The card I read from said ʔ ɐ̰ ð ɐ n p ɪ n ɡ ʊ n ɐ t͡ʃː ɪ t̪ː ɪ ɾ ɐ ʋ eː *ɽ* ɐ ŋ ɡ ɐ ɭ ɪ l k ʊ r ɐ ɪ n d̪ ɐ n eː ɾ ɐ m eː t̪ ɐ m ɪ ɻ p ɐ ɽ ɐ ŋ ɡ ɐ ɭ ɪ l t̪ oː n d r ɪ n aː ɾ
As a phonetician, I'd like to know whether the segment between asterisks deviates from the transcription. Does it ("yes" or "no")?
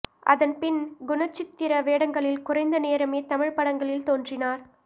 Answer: no